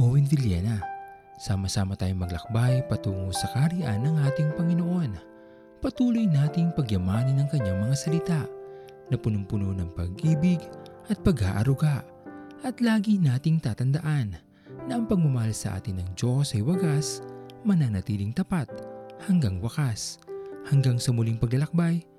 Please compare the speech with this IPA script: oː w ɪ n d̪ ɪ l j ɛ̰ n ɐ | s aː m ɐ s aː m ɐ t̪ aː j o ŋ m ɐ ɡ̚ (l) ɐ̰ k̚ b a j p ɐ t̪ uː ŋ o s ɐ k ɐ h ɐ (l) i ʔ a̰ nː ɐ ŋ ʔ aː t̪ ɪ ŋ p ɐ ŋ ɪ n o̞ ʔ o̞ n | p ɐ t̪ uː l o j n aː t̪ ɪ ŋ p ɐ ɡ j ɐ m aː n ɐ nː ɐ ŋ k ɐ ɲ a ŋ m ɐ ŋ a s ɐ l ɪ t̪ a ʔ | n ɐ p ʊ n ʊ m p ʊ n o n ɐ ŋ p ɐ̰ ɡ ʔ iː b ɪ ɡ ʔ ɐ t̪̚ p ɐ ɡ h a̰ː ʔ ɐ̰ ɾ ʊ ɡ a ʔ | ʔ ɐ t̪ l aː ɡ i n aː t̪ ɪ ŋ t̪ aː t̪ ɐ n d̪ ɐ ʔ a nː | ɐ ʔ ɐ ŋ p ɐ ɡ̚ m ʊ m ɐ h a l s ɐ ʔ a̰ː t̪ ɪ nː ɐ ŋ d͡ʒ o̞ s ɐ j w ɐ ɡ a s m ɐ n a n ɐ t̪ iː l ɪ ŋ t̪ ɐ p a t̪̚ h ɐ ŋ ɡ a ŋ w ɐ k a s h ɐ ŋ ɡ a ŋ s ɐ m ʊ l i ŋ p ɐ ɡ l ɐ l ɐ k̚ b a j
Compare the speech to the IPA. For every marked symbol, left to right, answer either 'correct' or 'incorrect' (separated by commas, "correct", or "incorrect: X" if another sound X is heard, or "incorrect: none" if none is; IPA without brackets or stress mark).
correct, incorrect: ɾ